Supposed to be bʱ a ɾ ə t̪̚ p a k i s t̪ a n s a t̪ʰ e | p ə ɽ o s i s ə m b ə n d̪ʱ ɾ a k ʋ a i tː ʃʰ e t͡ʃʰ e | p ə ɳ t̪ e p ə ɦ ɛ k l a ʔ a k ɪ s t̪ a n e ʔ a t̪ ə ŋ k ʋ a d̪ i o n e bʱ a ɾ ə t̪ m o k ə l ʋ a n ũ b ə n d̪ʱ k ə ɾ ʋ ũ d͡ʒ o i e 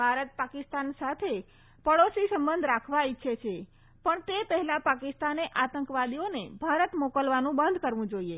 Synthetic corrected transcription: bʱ a ɾ ə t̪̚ p a k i s t̪ a n s a t̪ʰ e | p ə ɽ o s i s ə m b ə n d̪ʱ ɾ a kʰ ʋ a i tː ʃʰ e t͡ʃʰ e | p ə ɳ t̪ e p ə ɦ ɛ l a p a k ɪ s t̪ a n e ʔ a t̪ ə ŋ k ʋ a d̪ i o n e bʱ a ɾ ə t̪ m o k ə l ʋ a n ũ b ə n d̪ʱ k ə ɾ ʋ ũ d͡ʒ o i e

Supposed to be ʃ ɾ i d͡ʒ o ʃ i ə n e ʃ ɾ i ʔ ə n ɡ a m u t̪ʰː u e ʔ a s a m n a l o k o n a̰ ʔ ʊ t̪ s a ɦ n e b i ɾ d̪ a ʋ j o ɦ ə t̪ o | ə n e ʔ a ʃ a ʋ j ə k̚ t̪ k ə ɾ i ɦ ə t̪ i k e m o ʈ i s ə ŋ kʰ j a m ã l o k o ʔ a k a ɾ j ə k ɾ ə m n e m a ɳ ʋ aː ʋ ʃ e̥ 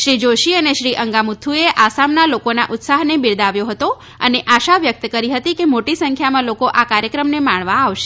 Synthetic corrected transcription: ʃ ɾ i d͡ʒ o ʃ i ə n e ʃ ɾ i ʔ ə ŋ ɡ a m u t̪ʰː u e ʔ a s a m n a l o k o n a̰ ʔ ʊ t̪ s a ɦ n e b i ɾ d̪ a ʋ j o ɦ ə t̪ o | ə n e ʔ a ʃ a ʋ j ə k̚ t̪ k ə ɾ i ɦ ə t̪ i k e m o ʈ i s ə ŋ kʰ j a m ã l o k o ʔ a k a ɾ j ə k ɾ ə m n e m a ɳ ʋ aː ʋ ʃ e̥

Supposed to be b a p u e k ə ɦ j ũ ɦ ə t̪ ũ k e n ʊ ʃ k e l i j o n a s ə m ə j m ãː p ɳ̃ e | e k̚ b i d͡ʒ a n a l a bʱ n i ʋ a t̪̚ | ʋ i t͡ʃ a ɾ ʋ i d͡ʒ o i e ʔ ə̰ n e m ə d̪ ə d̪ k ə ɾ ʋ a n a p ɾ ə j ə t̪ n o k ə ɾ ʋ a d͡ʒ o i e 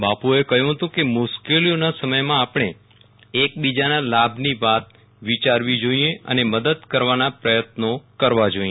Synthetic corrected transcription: b a p u e k ə ɦ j ũ ɦ ə t̪ ũ k e m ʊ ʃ k e l i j o n a s ə m ə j m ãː p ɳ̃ e | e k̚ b i d͡ʒ a n a l a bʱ n i ʋ a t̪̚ | ʋ i t͡ʃ a ɾ ʋ i d͡ʒ o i e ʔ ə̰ n e m ə d̪ ə d̪ k ə ɾ ʋ a n a p ɾ ə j ə t̪ n o k ə ɾ ʋ a d͡ʒ o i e

